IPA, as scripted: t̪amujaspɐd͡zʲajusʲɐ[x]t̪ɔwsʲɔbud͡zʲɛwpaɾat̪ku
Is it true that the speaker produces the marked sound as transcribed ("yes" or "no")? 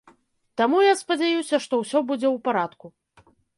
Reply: no